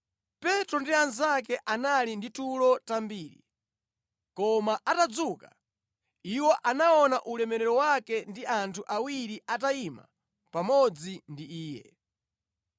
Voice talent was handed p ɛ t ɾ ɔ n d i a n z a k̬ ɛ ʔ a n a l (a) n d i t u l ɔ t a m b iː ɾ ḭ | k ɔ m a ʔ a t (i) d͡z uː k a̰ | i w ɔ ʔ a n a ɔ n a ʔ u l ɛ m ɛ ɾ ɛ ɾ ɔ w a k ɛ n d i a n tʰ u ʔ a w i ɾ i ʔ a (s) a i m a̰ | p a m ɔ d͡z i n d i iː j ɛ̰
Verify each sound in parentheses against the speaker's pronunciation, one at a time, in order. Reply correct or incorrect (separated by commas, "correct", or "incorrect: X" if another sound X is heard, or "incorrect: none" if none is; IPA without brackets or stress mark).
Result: incorrect: i, incorrect: a, incorrect: t